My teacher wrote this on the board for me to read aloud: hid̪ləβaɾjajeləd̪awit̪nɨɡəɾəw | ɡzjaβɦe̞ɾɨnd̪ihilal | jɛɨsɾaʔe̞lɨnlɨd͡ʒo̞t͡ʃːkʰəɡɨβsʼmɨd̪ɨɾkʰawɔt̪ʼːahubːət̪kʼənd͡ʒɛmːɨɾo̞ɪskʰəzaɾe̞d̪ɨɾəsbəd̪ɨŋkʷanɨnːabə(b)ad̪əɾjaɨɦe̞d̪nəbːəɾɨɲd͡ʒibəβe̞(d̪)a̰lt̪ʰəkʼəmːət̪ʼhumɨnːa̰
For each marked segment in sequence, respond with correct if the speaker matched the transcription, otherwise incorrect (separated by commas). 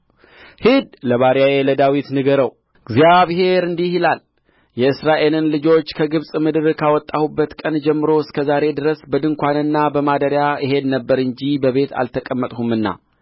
incorrect, incorrect